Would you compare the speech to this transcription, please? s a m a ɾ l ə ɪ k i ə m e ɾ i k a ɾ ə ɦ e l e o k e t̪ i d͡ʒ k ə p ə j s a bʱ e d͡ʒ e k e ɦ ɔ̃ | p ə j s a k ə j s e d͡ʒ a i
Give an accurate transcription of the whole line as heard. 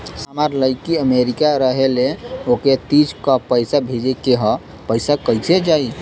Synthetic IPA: s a m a ɾ l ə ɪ k i ə m e ɾ i k a ɾ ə ɦ e l e o k e t̪ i d͡ʒ k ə p ə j s a bʱ e d͡ʒ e k e ɦ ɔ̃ | p ə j s a k ə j s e d͡ʒ a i

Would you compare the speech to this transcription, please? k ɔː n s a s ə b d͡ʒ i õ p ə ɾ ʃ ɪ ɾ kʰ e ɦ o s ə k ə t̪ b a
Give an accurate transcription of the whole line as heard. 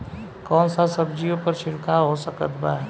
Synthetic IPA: k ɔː n s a s ə b d͡ʒ i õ p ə ɾ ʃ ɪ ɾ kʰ a ɦ o s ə k ə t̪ b a

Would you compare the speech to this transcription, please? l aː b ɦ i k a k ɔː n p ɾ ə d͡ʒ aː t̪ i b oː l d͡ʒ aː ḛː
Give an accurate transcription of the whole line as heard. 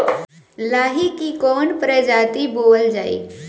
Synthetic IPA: l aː ɦ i k i k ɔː n p ɾ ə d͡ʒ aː t̪ i b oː l d͡ʒ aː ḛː

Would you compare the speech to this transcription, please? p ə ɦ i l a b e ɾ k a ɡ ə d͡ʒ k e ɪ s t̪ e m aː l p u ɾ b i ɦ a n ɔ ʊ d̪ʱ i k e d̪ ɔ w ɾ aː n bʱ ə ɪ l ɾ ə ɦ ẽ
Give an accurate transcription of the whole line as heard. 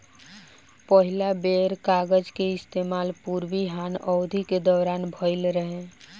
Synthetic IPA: p ə ɦ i l a b e ɾ k a ɡ ə d͡ʒ k e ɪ s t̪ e m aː l p u ɾ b i ɦ a n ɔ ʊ d̪ʱ i k e d̪ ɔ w ɾ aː n bʱ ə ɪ l ɾ ə ɦ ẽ

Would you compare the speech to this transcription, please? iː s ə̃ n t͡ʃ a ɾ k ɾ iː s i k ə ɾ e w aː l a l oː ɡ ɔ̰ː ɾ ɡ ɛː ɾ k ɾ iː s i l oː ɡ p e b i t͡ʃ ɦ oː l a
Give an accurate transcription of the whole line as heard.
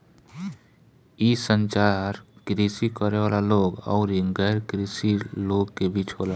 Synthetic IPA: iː s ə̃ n t͡ʃ a ɾ k ɾ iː s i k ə ɾ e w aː l a l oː ɡ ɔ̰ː ɾ ɡ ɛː ɾ k ɾ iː s i l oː ɡ k e b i t͡ʃ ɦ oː l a

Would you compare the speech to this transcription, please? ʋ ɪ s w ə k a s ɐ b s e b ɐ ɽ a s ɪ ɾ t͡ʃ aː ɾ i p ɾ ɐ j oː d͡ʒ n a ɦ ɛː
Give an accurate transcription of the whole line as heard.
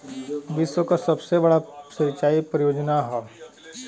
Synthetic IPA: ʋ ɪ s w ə k a s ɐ b s e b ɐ ɽ a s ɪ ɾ t͡ʃ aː i p ɾ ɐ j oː d͡ʒ n a ɦ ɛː

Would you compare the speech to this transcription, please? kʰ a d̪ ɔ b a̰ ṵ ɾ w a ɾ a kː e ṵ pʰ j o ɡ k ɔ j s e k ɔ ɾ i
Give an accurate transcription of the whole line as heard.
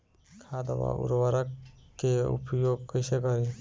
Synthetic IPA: kʰ a d̪ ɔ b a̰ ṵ ɾ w a ɾ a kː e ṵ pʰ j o ɡ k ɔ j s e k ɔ ɾ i

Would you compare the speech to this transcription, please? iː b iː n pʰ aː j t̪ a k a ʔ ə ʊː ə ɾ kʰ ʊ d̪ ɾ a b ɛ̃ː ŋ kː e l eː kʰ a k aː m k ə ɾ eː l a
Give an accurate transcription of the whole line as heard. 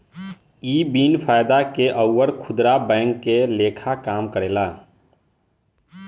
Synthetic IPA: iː b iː n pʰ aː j d̪ a k e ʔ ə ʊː ə ɾ kʰ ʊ d̪ ɾ a b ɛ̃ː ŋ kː e l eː kʰ a k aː m k ə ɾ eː l a

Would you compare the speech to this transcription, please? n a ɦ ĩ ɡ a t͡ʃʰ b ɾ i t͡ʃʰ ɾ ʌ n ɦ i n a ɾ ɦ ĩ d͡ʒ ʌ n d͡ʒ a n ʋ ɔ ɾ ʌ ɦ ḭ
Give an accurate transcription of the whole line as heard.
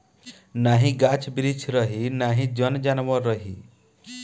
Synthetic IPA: n a ɦ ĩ ɡ a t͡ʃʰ b ɾ i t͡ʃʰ ɾ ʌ ɦ i n a ɦ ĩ d͡ʒ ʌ n d͡ʒ a n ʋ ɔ ɾ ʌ ɦ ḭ

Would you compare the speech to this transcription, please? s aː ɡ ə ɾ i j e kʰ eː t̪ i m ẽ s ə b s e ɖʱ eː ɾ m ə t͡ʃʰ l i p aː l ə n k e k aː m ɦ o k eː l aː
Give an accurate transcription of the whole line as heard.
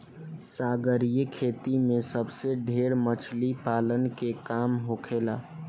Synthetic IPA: s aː ɡ ə ɾ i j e kʰ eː t̪ i m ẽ s ə b s e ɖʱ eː ɾ m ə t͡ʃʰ l i p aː l ə n k e k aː m ɦ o kʰ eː l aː

